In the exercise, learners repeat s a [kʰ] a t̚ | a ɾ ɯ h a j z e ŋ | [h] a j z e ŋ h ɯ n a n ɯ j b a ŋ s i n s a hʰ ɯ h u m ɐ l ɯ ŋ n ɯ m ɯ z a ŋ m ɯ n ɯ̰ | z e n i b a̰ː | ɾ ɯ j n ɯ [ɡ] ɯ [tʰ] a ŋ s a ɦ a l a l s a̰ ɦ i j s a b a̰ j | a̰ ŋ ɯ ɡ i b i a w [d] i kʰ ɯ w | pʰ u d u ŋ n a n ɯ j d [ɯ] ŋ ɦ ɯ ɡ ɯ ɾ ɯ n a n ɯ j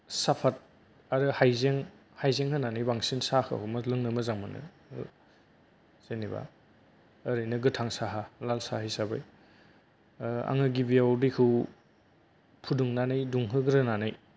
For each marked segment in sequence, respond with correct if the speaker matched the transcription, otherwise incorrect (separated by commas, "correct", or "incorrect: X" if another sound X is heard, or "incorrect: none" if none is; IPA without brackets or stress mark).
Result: incorrect: pʰ, correct, correct, correct, correct, incorrect: u